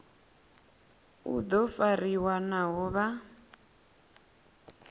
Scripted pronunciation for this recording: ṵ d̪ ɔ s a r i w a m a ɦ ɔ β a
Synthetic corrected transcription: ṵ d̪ ɔ f a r i w a n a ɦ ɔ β a